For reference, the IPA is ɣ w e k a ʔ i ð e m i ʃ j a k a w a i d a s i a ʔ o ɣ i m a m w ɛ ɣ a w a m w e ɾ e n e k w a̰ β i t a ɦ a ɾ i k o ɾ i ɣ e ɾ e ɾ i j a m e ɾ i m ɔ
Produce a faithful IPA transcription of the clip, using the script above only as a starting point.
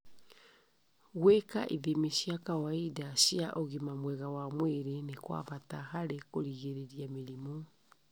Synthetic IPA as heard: ɣ w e k a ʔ i ð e m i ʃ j a k a w a i d a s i a ʔ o ɣ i m a m w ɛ ɣ a w a m w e ɾ e n e k w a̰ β a t a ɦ a ɾ e k o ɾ i ɣ e ɾ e ɾ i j a m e ɾ i m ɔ